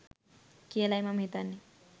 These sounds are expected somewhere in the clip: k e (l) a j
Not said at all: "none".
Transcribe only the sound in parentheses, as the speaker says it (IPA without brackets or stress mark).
l